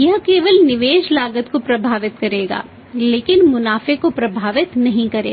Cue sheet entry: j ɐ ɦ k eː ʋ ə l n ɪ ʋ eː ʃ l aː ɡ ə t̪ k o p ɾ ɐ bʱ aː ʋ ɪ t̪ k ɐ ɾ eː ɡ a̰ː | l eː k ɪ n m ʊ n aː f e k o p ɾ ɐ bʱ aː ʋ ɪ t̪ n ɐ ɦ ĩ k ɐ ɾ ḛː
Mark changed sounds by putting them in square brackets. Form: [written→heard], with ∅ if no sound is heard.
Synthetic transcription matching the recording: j ɐ ɦ k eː ʋ ə l n ɪ ʋ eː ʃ l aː ɡ ə t̪ k o p ɾ ɐ bʱ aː ʋ ɪ t̪ k ɐ ɾ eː ɡ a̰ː | l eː k ɪ n m ʊ n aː f e k o p ɾ ɐ bʱ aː ʋ ɪ t̪ n ɐ ɦ ĩ k ɐ ɾ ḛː